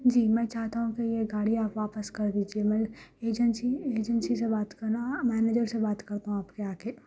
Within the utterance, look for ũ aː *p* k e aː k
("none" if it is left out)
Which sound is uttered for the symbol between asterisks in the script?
p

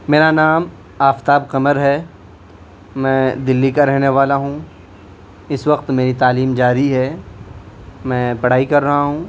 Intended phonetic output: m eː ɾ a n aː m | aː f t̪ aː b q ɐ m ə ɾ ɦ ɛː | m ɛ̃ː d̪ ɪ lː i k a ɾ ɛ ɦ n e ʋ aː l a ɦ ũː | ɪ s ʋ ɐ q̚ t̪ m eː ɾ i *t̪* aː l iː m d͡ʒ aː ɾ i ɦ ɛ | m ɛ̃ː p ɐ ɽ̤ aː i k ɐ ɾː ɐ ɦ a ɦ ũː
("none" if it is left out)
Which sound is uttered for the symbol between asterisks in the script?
t̪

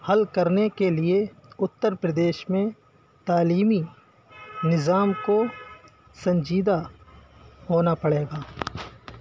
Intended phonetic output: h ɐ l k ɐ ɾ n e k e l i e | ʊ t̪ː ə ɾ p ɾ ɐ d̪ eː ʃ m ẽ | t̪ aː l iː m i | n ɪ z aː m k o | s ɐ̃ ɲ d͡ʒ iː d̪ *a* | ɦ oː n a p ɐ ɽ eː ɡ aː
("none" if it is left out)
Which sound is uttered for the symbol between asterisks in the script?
a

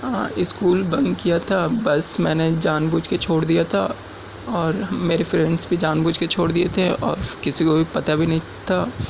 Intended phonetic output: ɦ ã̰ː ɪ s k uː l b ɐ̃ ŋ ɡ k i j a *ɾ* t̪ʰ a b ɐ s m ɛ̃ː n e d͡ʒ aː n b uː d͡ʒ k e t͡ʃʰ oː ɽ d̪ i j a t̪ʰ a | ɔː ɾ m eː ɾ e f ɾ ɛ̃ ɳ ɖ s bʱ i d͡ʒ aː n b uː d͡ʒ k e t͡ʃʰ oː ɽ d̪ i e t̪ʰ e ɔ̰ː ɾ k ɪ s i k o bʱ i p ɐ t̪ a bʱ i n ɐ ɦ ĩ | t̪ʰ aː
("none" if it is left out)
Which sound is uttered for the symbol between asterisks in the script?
none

